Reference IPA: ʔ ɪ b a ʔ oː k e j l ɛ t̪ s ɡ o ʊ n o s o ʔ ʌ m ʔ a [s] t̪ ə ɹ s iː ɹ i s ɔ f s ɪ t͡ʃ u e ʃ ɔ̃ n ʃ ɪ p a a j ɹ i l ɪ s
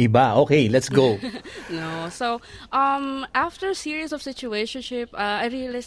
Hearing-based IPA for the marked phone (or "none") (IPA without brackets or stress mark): f